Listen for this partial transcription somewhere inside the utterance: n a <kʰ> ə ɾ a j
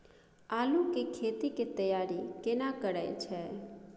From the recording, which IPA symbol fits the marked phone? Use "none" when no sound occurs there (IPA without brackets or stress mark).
k